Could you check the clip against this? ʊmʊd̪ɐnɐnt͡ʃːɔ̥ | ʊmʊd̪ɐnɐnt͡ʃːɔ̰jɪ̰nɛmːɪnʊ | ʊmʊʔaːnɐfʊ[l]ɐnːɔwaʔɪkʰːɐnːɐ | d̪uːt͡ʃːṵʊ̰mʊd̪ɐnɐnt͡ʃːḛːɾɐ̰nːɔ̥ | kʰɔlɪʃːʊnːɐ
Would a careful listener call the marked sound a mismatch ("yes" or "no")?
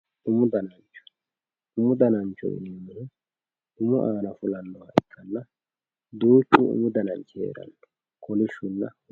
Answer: no